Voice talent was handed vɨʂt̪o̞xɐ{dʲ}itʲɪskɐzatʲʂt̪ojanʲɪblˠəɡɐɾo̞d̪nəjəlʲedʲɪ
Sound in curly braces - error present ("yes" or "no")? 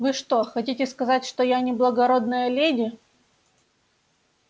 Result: yes